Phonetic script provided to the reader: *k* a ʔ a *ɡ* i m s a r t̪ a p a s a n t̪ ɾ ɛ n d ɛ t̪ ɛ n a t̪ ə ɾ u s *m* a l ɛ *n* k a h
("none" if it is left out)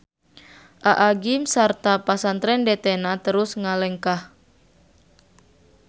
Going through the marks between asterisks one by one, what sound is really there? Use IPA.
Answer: ʔ, ɡ, ŋ, ŋ

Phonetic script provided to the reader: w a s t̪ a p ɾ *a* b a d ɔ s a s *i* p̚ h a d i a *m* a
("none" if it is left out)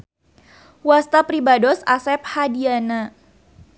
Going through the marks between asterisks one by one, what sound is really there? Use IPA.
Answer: i, ɛ, n

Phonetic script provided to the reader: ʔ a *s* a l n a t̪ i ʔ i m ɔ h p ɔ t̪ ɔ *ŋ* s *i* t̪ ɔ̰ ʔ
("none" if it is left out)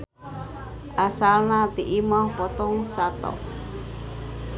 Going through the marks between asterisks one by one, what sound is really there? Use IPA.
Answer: s, ŋ, a

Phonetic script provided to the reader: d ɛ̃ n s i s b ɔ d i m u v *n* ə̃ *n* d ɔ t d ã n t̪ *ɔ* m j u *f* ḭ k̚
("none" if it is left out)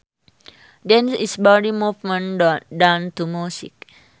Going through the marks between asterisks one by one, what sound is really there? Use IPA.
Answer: m, n, u, s

